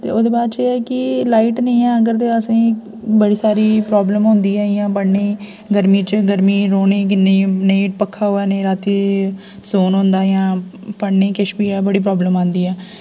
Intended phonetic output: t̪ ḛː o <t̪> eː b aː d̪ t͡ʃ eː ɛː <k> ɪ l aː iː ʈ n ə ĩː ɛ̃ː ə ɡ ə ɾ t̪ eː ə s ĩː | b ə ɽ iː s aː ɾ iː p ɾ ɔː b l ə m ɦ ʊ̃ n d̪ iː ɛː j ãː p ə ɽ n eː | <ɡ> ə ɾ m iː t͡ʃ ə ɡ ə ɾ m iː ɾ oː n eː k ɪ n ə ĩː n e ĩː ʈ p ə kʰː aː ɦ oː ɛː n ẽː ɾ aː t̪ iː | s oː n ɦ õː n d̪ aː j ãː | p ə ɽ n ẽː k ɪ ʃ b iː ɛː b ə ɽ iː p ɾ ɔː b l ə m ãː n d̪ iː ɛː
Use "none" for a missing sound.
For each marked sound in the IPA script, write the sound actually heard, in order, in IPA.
d̪, k, ɡ

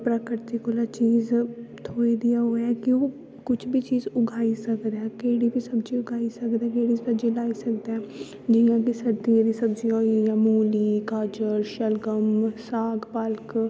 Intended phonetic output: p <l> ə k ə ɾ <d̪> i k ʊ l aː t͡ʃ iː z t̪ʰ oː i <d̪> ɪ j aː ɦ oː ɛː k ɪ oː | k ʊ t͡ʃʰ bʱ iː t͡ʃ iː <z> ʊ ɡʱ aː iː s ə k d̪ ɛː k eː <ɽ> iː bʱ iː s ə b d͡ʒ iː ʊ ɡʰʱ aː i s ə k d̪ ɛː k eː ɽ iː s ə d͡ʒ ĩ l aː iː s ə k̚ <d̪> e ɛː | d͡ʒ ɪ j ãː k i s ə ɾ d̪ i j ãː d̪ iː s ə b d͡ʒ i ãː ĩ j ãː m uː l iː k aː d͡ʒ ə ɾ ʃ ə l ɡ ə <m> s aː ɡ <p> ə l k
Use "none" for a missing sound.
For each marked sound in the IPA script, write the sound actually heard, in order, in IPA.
ɾ, t̪, d̪, z, ɽ, d̪, m, p

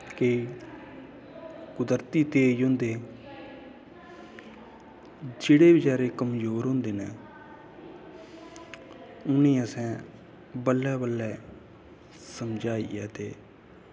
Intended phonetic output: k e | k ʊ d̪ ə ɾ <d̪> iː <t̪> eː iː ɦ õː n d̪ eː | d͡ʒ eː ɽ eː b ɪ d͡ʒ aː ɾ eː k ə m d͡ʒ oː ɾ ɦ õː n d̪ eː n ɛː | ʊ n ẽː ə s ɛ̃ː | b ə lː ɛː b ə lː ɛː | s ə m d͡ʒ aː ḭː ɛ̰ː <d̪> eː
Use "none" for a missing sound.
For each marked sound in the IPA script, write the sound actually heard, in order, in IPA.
t̪, t̪, t̪

